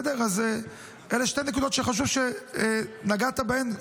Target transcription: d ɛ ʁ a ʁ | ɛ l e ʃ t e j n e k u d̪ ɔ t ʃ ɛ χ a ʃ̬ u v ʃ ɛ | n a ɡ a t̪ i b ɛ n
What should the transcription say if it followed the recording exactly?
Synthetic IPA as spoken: d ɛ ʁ a z | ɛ l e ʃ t e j n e k u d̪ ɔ t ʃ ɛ χ a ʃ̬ u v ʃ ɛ | n a ɡ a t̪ a b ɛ n